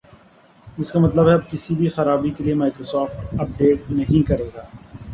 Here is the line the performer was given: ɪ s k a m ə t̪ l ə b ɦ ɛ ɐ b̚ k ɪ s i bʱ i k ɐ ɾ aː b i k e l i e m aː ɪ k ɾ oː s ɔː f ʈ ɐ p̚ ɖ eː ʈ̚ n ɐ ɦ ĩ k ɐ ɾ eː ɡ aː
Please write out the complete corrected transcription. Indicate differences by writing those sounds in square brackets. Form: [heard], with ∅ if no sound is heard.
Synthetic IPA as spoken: ɪ s k a m [ɐ] t̪ l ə b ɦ ɛ ɐ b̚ k ɪ s i bʱ i [x] ɐ ɾ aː b i k e l i e m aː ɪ k ɾ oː s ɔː f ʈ ɐ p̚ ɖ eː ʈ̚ n ɐ ɦ ĩ k ɐ ɾ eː ɡ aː

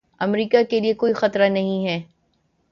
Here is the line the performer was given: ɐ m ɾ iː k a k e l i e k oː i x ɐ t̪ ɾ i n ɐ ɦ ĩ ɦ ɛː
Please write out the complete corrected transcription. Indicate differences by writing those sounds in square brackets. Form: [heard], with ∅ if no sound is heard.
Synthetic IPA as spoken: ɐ m ɾ iː k a k e l i e k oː i x ɐ t̪ ɾ [a] n ɐ ɦ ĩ ɦ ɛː

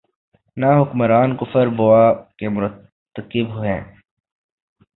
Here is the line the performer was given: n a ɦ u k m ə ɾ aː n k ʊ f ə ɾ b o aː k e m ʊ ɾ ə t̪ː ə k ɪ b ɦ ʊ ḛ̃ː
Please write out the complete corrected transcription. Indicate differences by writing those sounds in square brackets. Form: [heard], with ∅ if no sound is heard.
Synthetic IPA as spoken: n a ɦ [ʊ] k m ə ɾ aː n k ʊ f ə ɾ b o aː k e m ʊ ɾ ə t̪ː ə k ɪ b ɦ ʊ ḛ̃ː

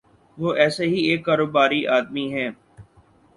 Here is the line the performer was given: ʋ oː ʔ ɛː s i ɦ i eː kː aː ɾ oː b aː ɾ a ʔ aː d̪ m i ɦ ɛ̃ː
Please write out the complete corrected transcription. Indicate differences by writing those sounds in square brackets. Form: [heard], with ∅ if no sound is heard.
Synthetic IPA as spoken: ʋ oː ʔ ɛː s [e] ɦ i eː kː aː ɾ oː b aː ɾ [i] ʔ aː d̪ m i ɦ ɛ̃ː

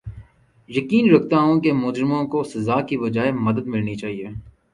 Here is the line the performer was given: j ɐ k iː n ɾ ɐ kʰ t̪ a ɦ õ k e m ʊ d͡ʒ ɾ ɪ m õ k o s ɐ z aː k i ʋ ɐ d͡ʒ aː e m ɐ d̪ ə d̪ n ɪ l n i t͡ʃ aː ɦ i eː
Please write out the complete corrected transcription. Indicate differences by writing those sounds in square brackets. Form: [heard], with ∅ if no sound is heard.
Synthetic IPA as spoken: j ɐ k iː n ɾ ɐ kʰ t̪ a ɦ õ k e m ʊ d͡ʒ ɾ ɪ m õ k o s ɐ z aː k i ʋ ɐ d͡ʒ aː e m ɐ d̪ ə d̪ [m] ɪ l n i t͡ʃ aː ɦ i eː

